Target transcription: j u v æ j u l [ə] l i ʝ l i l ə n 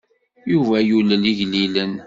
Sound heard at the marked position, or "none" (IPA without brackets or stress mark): ə